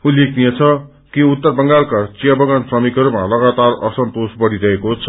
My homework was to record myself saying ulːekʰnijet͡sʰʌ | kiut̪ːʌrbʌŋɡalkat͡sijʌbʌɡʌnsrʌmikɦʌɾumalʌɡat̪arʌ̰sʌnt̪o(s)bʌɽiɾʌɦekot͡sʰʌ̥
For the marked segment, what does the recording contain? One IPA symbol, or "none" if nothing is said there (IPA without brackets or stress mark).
s